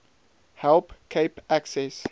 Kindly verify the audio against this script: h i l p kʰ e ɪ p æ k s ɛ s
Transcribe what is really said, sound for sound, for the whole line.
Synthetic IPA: h ɛ l p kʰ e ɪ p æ k s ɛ s